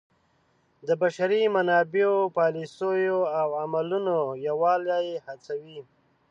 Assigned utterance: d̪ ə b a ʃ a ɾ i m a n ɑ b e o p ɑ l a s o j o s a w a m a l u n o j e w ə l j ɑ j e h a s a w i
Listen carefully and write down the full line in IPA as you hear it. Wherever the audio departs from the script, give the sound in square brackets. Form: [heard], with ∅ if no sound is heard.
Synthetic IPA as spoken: d̪ ə b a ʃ a ɾ i m a n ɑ b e o p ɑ l [i] s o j o [∅] a w a m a l u n o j [a] w [ɑ] l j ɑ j e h a [t͡s] a w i